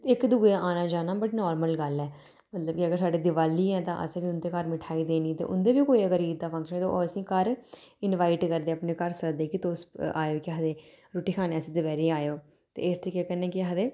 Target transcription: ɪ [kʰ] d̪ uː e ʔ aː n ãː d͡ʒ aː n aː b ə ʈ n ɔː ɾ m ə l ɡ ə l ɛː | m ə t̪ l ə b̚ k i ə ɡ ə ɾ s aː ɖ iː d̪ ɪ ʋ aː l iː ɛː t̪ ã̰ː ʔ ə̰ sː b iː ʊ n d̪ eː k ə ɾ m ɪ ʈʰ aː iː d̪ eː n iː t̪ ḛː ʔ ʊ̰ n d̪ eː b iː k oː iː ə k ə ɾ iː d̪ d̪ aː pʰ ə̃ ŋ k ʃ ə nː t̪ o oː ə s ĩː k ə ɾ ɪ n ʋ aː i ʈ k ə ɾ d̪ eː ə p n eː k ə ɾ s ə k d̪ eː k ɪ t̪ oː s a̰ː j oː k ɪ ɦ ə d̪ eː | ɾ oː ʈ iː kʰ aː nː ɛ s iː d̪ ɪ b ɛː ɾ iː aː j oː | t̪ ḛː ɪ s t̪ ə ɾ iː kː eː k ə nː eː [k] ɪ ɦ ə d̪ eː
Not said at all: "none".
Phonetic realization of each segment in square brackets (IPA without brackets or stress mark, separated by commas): k, k